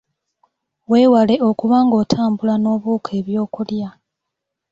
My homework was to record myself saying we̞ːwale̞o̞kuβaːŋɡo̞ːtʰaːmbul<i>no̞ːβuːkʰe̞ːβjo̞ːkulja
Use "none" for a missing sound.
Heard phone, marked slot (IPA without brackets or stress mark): a